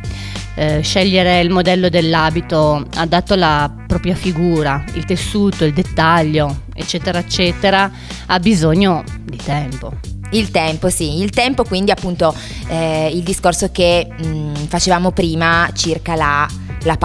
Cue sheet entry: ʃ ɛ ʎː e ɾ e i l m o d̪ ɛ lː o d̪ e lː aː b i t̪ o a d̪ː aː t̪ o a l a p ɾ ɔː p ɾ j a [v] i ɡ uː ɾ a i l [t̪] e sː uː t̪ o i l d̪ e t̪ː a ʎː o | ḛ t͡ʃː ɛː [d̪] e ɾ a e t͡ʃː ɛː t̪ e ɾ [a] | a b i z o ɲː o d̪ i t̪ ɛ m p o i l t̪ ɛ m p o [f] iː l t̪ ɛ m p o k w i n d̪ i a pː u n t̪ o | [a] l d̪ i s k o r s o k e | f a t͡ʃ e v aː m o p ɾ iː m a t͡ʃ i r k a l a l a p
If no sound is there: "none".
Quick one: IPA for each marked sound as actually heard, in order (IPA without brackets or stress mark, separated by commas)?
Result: f, t̪, t̪, a, s, i